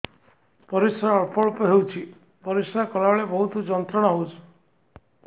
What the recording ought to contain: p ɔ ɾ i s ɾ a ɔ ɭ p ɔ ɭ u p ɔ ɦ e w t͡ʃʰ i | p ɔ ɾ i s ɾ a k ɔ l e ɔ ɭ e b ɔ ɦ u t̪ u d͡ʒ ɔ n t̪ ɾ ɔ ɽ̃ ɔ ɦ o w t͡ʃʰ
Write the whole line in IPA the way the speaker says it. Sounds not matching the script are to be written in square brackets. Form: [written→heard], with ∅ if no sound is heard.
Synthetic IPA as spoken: p ɔ ɾ i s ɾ a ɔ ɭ p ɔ ɭ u p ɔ ɦ e w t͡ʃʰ i | p ɔ ɾ i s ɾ a k ɔ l [e→a] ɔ ɭ e b ɔ ɦ u t̪ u d͡ʒ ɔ n t̪ ɾ ɔ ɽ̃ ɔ ɦ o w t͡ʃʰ